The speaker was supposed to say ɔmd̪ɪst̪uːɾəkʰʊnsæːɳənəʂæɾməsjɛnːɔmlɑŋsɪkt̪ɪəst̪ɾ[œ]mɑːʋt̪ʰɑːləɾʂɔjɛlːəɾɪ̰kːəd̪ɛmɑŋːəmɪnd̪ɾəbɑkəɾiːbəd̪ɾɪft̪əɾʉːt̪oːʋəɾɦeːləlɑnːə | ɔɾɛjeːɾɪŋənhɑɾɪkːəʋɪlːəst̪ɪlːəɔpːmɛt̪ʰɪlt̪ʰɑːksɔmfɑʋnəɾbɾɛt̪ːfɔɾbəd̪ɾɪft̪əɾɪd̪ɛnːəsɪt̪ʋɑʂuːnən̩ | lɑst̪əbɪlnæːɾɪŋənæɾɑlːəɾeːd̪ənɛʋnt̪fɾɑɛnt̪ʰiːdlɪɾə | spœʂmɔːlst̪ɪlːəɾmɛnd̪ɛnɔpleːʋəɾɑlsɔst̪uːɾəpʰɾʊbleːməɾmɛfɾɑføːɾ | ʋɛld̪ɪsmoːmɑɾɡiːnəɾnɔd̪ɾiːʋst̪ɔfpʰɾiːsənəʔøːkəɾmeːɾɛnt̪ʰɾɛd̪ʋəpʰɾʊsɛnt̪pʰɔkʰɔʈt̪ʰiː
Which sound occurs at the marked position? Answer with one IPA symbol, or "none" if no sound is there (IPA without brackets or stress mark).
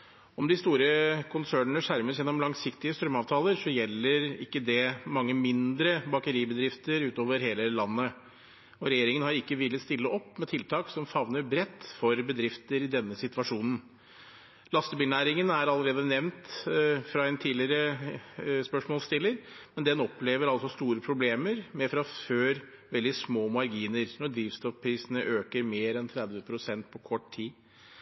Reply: œ